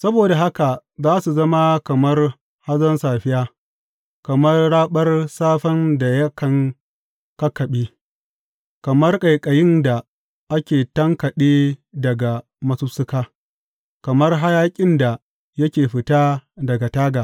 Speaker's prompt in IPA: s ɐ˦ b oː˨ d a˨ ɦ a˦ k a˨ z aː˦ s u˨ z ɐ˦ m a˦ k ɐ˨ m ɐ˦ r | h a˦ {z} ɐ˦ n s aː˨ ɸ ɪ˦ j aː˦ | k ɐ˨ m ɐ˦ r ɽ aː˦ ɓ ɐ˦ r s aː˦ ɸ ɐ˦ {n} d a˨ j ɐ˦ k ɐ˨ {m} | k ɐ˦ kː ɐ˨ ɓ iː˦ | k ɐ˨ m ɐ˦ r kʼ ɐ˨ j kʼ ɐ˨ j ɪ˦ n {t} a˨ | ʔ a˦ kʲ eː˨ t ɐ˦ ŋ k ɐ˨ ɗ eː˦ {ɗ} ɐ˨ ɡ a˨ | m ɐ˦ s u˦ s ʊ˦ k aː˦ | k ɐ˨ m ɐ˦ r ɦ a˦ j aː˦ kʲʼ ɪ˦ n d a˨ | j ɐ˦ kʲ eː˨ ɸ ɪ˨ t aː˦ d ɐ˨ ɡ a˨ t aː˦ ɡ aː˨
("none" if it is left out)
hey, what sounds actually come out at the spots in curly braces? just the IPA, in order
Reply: z, n, ŋ, d, d

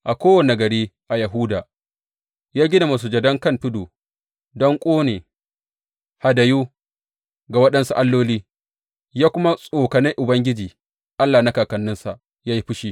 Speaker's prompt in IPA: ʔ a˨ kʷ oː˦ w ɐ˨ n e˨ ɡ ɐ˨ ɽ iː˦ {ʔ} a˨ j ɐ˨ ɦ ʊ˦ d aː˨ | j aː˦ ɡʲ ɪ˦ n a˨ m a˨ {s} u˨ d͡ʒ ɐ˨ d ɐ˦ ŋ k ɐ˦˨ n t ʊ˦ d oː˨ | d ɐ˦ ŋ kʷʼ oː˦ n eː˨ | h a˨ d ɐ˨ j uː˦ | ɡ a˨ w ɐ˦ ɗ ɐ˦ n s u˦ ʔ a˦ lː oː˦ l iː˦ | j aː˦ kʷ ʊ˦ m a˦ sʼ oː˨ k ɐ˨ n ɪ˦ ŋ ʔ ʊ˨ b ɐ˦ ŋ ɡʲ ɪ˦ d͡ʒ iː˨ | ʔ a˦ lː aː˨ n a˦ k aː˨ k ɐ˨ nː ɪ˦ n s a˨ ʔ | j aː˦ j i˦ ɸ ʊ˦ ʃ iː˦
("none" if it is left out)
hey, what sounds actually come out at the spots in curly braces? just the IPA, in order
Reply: ʔ, s

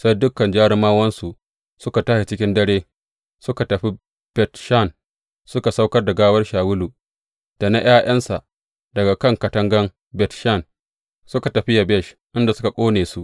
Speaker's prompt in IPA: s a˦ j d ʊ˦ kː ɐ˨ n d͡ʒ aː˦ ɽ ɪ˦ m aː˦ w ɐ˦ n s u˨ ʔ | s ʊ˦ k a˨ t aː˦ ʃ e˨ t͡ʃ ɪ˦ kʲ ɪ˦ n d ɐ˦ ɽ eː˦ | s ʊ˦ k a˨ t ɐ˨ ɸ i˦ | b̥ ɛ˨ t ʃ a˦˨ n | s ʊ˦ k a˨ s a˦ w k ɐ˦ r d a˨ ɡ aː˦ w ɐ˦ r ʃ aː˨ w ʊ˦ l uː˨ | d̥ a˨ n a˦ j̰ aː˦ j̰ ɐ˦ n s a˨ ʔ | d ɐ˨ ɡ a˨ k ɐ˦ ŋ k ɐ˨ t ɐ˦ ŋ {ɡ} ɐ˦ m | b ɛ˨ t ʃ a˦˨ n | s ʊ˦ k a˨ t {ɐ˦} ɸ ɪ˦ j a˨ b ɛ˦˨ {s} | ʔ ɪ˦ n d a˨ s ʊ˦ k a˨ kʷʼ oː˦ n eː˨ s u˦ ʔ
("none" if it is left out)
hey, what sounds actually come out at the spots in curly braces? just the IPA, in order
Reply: ɡ, ɐ˨, ʃ

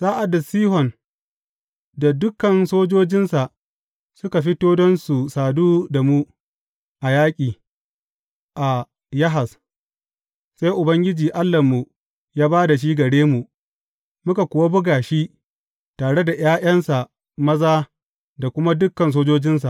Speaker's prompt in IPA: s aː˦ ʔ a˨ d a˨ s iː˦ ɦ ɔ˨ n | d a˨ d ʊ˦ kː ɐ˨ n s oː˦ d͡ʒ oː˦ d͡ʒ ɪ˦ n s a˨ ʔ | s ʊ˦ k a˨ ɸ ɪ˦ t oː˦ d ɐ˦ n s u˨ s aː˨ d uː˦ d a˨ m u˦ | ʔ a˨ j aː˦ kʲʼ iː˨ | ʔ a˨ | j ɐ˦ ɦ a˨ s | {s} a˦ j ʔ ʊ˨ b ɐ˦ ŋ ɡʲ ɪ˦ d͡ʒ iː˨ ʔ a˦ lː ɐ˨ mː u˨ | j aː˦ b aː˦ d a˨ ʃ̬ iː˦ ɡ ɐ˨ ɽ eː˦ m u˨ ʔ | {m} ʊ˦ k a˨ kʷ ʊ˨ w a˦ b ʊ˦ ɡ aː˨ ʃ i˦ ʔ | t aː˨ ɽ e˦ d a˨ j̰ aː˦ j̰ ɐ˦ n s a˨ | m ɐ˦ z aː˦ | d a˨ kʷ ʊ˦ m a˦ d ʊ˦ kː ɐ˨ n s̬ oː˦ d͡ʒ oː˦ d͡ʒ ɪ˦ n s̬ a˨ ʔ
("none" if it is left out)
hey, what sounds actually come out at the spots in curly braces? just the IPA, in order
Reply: s, m

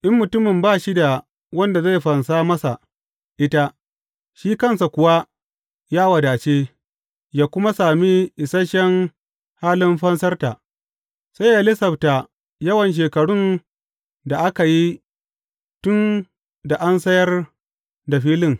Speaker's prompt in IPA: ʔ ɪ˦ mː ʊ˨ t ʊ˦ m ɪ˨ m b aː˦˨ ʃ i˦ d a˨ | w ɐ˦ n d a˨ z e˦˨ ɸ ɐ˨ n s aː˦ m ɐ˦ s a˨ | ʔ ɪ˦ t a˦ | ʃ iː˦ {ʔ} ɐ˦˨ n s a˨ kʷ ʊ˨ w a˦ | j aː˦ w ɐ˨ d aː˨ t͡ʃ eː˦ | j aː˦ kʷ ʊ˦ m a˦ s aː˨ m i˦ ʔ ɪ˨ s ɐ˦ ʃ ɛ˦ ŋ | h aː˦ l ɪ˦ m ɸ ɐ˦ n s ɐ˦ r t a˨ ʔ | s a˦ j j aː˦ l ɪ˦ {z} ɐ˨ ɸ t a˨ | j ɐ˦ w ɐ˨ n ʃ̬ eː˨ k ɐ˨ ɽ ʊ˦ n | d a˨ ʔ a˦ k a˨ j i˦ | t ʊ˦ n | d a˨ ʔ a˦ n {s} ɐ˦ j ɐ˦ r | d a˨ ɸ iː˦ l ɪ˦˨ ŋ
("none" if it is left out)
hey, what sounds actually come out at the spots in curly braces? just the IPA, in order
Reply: k, s, s

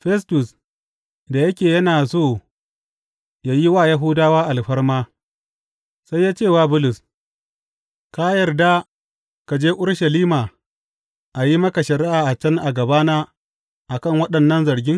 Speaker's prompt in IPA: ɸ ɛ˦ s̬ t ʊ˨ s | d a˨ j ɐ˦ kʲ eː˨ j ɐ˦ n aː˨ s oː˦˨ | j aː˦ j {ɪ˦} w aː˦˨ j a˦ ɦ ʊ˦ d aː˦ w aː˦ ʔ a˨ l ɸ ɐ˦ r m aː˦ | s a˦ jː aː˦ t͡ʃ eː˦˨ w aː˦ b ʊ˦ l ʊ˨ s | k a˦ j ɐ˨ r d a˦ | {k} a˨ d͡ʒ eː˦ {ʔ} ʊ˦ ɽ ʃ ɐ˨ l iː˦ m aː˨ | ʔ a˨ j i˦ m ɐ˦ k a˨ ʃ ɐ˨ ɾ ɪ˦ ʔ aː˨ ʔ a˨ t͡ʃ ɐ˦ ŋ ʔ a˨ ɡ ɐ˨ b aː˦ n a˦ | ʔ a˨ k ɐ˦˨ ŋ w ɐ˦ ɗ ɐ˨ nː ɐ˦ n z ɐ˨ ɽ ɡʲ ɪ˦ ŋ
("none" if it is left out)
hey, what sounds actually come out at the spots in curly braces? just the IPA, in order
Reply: i˦, k, ʔ

